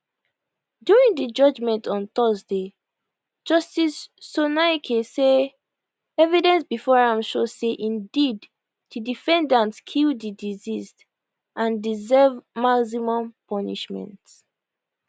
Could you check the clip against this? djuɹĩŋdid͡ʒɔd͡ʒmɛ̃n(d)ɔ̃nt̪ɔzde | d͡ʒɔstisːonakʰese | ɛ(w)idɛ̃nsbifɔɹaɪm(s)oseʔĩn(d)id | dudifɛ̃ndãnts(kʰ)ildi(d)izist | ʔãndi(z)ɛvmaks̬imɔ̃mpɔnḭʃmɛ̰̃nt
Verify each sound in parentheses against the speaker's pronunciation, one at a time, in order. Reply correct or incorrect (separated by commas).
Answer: incorrect, incorrect, incorrect, correct, correct, correct, correct